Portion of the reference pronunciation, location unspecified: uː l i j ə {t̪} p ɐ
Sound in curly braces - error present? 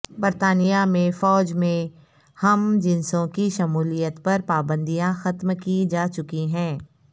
no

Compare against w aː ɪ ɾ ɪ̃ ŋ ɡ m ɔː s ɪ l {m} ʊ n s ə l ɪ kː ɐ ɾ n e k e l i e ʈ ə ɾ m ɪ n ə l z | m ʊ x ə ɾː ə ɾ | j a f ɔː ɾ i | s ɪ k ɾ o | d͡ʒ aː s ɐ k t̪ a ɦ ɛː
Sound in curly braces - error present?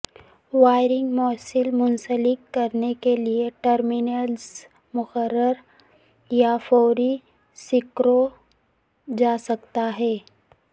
no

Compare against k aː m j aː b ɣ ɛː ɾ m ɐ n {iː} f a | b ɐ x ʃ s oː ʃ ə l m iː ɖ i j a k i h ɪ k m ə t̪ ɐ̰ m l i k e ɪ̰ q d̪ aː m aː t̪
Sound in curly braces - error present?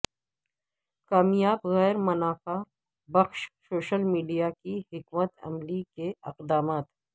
yes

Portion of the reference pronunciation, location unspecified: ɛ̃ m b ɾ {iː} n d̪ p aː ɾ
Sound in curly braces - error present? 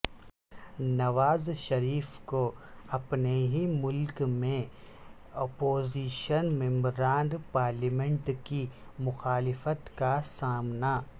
yes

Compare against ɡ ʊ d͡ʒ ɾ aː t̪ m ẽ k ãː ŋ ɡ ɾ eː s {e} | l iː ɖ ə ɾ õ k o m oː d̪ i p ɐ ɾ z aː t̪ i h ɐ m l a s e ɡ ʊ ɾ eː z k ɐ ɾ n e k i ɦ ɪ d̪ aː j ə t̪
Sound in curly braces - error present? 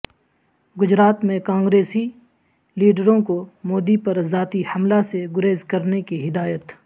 yes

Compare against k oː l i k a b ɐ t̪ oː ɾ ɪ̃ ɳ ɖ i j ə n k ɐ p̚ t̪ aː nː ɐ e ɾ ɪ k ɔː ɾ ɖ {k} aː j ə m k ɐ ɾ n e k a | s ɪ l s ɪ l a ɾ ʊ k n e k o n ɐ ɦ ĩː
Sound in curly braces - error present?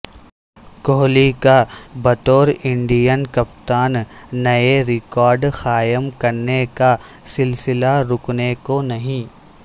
yes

